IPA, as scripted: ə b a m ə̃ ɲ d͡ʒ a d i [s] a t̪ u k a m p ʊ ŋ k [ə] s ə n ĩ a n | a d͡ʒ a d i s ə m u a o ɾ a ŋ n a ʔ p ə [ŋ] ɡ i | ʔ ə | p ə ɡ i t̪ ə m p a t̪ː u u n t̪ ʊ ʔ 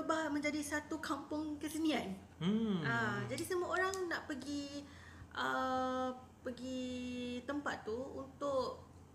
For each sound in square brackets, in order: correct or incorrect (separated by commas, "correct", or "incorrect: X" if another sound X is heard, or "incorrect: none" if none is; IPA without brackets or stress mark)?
correct, correct, incorrect: none